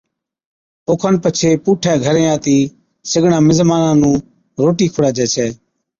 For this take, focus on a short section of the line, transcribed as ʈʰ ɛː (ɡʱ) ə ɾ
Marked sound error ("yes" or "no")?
no